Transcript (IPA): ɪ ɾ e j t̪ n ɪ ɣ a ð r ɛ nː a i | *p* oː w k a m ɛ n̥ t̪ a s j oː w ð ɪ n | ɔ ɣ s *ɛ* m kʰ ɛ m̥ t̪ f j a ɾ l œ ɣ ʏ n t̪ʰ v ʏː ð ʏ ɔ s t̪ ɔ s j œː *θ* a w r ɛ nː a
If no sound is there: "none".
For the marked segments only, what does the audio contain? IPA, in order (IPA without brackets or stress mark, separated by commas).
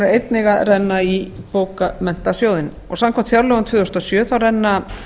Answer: p, a, θ